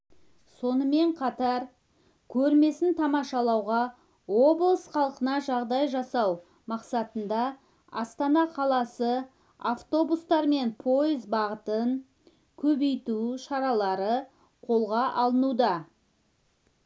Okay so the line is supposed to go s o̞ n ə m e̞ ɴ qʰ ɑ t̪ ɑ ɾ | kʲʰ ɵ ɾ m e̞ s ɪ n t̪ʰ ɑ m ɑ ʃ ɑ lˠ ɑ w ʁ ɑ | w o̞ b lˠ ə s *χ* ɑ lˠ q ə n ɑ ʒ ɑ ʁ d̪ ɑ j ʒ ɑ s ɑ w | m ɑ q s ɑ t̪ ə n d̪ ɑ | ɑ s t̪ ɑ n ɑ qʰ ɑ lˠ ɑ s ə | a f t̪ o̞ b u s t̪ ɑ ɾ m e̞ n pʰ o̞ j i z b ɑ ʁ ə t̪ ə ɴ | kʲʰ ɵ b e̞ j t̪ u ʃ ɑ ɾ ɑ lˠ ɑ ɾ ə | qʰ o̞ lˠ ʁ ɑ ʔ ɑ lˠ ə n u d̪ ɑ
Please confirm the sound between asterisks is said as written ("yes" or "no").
yes